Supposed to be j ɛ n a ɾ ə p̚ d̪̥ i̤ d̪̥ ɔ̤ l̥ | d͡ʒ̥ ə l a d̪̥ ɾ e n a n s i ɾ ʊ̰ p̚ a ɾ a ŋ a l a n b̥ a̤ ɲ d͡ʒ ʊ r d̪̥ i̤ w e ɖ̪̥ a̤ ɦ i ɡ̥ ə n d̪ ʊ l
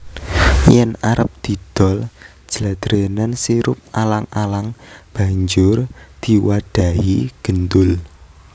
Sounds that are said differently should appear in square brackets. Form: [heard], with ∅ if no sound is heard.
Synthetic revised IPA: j ɛ n a ɾ ə p̚ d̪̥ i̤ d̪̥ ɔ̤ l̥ | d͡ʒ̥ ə l a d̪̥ ɾ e n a n s i ɾ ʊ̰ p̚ a [l] a ŋ a l a [ŋ] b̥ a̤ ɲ d͡ʒ ʊ r d̪̥ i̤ w [a] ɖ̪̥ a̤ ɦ i ɡ̥ ə n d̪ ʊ l